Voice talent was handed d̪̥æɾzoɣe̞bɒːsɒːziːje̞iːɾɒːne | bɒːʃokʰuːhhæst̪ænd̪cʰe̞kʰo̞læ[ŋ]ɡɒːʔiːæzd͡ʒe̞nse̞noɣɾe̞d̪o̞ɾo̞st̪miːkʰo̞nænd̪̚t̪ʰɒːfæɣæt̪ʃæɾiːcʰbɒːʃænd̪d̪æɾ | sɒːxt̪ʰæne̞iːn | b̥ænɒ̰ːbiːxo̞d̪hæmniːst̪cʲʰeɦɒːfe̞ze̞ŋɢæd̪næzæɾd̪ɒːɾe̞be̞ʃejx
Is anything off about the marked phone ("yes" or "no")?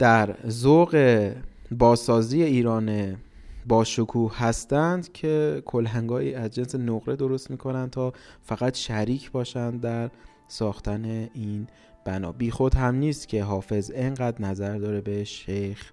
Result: no